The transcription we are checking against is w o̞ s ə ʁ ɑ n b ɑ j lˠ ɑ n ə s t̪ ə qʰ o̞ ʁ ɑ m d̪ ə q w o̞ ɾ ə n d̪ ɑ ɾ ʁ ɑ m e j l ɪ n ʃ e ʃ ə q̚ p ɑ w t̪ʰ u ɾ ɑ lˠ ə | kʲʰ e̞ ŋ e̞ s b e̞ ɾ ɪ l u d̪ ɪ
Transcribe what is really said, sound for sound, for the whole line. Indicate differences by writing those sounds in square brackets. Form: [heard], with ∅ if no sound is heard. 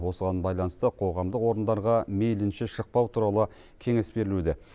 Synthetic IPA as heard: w o̞ s ə ʁ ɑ n b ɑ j lˠ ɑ n ə s t̪ ə qʰ o̞ ʁ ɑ m d̪ ə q w o̞ ɾ ə n d̪ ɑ ɾ ʁ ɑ m e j l ɪ n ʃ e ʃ ə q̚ p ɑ w t̪ʰ u ɾ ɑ lˠ ə | kʲʰ e̞ ŋ e̞ s b e̞ ɾ ɪ l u d̪ ɪ